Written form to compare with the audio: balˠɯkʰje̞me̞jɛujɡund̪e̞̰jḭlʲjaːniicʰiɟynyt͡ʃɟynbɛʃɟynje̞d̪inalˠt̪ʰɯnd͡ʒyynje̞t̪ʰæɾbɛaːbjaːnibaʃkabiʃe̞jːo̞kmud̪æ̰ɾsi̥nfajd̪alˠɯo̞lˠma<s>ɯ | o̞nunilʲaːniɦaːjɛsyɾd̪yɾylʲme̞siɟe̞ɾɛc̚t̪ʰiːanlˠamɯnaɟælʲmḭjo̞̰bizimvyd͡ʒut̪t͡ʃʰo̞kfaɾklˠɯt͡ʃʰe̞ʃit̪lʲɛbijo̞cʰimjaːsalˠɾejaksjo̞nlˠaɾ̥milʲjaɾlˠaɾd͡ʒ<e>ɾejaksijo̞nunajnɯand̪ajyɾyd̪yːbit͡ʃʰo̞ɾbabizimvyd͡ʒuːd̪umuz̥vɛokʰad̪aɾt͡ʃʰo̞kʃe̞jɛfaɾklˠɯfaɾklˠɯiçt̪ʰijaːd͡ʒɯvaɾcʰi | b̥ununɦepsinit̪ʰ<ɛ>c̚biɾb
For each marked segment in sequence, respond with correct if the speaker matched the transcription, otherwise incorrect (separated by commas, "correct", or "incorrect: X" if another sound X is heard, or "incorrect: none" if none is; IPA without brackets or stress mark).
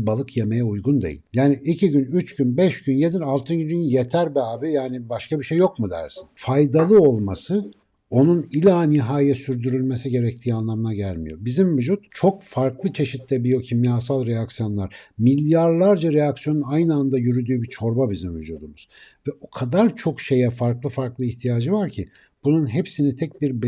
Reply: correct, incorrect: a, correct